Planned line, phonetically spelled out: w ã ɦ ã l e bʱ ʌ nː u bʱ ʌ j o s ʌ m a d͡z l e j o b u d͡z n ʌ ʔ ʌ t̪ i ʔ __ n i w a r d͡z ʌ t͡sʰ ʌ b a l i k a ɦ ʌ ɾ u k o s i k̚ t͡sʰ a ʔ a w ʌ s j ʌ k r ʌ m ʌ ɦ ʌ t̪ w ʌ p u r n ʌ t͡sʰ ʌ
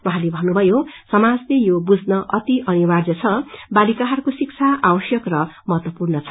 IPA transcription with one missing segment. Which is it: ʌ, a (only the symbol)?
ʌ